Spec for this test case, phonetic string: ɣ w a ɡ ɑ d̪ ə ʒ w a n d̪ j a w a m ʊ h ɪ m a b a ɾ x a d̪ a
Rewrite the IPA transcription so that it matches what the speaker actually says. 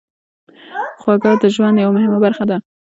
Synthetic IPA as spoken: x w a ɡ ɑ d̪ ə ʒ w a n d̪ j a w a m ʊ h ɪ m a b a ɾ x a d̪ a